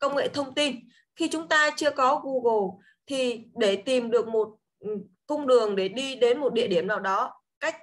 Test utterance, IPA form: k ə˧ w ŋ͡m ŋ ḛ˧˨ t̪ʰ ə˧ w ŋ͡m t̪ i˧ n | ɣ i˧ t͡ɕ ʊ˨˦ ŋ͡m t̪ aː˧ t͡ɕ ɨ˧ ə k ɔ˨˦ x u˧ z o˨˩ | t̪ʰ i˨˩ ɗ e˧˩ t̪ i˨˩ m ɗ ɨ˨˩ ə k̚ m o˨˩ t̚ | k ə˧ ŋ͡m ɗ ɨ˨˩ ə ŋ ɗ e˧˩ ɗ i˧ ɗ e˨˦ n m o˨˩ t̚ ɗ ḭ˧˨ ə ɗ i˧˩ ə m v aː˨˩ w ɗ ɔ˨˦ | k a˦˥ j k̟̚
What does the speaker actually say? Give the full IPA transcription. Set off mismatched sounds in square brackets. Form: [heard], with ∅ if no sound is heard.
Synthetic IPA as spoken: k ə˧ w ŋ͡m ŋ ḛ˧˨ t̪ʰ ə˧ w ŋ͡m t̪ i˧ n | [x] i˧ t͡ɕ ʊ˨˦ ŋ͡m t̪ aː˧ t͡ɕ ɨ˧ ə k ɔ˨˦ [ɣ] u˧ [ɣ] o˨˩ | t̪ʰ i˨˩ ɗ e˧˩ t̪ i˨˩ m ɗ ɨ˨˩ ə k̚ m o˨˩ t̚ | k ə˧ ŋ͡m ɗ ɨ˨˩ ə ŋ ɗ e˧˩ ɗ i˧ ɗ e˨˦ n m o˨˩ t̚ ɗ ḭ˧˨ ə ɗ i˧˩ ə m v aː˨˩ w ɗ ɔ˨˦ | k a˦˥ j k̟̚